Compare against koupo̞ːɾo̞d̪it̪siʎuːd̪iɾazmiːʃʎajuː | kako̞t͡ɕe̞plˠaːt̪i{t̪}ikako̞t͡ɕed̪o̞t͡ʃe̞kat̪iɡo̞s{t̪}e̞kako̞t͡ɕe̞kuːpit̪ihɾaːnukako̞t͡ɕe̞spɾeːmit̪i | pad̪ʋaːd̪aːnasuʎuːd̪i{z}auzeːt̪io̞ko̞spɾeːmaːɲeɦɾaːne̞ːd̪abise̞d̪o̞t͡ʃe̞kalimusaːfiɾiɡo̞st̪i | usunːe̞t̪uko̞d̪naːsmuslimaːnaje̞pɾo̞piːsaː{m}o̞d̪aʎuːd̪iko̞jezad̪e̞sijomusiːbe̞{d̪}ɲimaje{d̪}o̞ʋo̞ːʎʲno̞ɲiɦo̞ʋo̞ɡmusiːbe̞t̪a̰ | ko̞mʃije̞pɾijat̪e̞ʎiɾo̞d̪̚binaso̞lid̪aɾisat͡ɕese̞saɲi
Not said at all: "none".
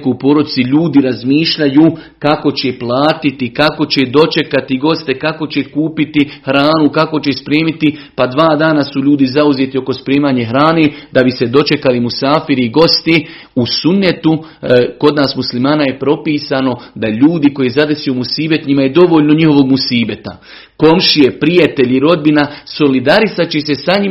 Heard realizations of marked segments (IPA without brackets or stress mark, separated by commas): t̪, t̪, z, n, t̪, d̪